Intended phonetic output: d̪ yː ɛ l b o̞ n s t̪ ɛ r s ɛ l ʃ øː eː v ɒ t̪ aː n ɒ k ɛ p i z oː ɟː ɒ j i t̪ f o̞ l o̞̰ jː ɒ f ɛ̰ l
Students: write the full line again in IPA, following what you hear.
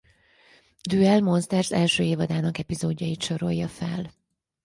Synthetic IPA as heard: d̪ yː ɛ l m o̞ n s t̪ ɛ r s ɛ l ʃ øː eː v ɒ d̪ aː n ɒ k ɛ p i z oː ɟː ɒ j i t̪ ʃ o̞ ɾ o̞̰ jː ɒ f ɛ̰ l